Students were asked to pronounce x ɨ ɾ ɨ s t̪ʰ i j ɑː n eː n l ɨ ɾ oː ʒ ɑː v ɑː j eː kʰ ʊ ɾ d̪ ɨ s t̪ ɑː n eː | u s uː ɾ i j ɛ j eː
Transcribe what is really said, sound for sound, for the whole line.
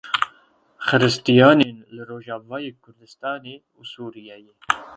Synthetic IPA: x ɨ ɾ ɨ s t̪ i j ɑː n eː n l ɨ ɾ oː ʒ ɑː v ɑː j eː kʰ ʊ ɾ d̪ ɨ s t̪ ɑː n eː | u s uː ɾ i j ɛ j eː